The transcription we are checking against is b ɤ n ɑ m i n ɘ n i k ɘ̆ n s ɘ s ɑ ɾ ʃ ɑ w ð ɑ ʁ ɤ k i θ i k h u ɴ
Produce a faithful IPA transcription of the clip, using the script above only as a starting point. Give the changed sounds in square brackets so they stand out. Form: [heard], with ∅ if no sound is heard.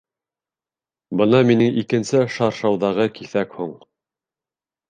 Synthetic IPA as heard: b ɤ n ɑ m i n ɘ [ŋ] i k ɘ̆ n s ɘ [ʃ] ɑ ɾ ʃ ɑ w ð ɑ ʁ ɤ k i θ [æ] k h u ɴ